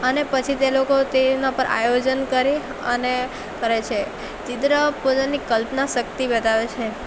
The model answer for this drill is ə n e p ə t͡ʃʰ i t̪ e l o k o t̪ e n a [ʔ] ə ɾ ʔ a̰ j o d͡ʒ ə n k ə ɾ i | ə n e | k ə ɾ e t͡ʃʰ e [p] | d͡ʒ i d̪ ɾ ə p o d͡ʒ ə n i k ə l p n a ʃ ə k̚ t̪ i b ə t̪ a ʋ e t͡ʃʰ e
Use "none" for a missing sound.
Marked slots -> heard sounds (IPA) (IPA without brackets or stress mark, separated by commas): p, none